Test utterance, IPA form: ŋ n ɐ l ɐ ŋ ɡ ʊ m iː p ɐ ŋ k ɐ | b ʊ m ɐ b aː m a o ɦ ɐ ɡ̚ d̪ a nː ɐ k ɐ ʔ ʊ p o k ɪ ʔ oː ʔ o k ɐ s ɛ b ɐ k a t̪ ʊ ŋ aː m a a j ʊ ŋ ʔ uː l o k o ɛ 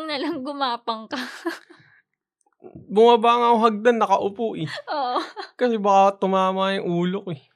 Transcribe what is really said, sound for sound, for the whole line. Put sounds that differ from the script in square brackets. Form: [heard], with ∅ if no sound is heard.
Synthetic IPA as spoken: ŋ n ɐ l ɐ ŋ ɡ ʊ m [aː] p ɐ ŋ k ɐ | b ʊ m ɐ b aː [ŋ] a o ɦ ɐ ɡ̚ d̪ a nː ɐ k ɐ ʔ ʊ p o [ʔ] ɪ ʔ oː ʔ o k ɐ s ɛ b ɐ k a t̪ ʊ [m] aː m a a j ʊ ŋ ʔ uː l o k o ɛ